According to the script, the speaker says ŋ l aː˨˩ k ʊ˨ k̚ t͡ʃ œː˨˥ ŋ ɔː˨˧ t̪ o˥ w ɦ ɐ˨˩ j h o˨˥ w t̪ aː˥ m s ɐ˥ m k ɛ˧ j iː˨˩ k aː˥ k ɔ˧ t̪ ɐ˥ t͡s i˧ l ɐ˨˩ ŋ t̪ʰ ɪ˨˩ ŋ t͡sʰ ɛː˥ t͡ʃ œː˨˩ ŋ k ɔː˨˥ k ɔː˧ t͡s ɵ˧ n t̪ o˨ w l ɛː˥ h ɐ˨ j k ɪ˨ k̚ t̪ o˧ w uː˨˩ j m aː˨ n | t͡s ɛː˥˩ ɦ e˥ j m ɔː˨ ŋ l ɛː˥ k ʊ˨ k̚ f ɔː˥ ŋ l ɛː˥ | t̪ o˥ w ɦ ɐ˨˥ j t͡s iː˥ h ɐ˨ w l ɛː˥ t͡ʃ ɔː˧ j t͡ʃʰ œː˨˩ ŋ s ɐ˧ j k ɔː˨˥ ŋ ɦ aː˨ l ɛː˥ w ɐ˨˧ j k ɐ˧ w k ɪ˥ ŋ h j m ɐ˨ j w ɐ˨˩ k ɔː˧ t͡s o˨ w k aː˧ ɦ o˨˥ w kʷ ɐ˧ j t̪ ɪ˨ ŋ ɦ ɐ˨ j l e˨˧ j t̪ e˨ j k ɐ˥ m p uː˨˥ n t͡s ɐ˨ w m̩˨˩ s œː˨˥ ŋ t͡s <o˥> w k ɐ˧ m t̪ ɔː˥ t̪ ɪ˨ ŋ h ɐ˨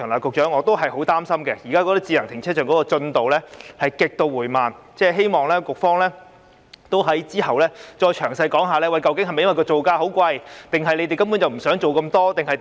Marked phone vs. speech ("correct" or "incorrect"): incorrect